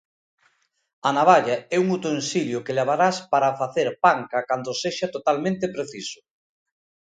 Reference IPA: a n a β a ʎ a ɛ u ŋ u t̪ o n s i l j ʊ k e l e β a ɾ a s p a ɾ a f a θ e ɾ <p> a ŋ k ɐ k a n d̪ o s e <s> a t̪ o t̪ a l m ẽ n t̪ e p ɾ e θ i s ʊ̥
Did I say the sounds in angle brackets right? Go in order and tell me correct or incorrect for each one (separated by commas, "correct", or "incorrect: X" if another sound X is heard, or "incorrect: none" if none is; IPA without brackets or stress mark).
correct, incorrect: ʃ